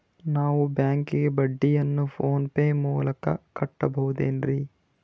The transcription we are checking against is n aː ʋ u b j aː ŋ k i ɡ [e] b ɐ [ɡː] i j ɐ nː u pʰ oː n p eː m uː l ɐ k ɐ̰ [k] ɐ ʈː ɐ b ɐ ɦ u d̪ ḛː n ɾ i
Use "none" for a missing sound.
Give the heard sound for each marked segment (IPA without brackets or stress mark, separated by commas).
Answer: e, ɖː, k